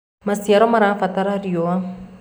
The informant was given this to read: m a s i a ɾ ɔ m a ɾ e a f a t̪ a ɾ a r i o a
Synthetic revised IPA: m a s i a ɾ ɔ m a ɾ a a f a t̪ a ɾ a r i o a